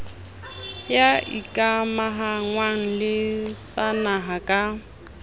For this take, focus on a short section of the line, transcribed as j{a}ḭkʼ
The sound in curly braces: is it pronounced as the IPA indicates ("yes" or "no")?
yes